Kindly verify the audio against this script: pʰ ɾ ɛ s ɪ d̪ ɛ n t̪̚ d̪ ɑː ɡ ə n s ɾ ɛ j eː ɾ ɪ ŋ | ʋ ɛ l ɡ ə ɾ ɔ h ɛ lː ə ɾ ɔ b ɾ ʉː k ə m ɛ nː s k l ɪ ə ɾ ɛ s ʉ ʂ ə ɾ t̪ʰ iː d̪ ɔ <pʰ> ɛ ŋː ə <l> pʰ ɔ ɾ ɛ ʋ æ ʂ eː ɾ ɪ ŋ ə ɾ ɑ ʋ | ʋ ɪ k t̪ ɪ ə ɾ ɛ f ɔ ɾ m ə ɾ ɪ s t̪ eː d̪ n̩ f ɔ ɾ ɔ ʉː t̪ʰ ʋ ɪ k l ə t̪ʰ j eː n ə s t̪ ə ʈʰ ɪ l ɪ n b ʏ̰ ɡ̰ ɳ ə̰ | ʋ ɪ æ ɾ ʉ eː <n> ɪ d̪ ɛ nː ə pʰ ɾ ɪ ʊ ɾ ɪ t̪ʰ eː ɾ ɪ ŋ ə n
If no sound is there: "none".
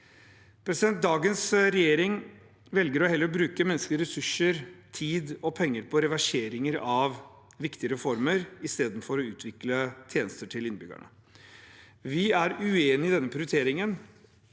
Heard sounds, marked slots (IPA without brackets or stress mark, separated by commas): pʰ, ɾ, n